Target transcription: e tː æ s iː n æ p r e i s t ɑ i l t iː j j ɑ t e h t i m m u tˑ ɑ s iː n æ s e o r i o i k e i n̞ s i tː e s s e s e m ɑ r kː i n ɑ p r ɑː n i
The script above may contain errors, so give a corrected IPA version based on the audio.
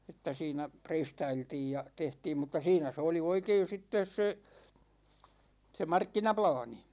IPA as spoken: e tː æ s iː n æ p r e i s t ɑ i l t iː j j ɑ t e h t iː m m u tˑ ɑ s iː n æ s e o l i o i k e i n̞ s i tː e s s e s e m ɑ r kː i n ɑ p l ɑː n i